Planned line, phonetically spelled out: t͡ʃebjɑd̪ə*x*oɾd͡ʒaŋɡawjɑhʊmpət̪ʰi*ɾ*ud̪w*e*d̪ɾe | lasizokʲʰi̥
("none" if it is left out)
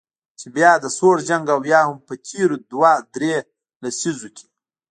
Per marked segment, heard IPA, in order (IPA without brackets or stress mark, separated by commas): s, ɾ, a